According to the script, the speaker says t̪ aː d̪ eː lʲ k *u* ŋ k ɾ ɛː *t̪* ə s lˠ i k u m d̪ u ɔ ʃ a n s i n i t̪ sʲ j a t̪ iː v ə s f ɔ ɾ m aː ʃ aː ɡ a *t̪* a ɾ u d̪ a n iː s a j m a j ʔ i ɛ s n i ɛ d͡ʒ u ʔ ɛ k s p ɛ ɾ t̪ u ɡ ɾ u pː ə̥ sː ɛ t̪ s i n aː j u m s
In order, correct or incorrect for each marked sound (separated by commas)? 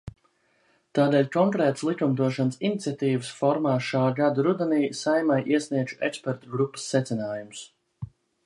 incorrect, correct, incorrect